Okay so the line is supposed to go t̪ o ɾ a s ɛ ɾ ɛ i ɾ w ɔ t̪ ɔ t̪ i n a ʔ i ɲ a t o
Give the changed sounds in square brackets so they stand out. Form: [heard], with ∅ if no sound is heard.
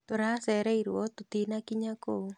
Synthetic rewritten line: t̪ o ɾ a s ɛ ɾ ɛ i ɾ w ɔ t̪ [o] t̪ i n a [k] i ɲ a [k] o

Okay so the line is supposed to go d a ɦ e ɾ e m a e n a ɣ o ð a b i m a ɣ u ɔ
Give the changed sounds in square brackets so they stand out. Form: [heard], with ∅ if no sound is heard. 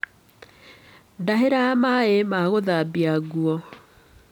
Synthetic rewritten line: d a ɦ e ɾ [a] m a e [m] a ɣ o ð a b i [∅] a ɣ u ɔ

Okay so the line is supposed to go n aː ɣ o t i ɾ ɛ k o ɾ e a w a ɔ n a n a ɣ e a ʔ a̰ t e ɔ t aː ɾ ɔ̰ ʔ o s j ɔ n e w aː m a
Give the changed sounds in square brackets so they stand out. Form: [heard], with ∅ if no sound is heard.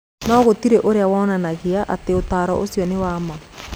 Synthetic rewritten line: n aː ɣ o t i ɾ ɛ [ʔ] o ɾ e a w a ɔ n a n a ɣ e a ʔ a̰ t e [o] t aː ɾ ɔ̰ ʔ o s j ɔ n e w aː m a

